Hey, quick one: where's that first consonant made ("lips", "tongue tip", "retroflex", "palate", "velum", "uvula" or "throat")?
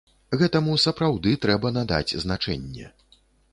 velum